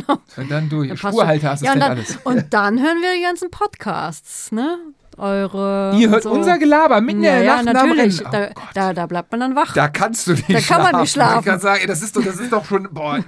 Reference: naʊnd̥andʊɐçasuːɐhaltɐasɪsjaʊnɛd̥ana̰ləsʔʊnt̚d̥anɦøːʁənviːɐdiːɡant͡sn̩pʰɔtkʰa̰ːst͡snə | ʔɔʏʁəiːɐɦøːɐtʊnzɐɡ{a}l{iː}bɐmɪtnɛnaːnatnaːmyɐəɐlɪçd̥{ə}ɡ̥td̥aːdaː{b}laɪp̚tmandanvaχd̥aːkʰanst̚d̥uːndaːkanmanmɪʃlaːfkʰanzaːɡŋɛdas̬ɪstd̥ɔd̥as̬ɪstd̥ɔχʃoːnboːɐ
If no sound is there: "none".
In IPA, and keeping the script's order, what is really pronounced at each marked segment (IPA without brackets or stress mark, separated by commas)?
ə, aː, a, b